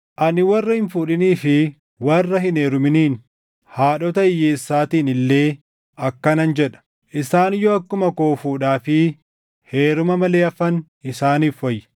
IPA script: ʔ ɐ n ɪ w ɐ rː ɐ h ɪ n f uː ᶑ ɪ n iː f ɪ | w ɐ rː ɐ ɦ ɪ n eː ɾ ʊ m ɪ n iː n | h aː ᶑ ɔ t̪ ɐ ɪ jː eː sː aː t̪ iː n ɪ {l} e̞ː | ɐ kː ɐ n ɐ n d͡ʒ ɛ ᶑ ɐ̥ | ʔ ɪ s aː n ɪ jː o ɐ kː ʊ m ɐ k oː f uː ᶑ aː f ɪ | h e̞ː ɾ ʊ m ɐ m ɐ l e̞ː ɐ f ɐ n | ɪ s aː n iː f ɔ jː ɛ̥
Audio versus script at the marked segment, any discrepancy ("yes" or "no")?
yes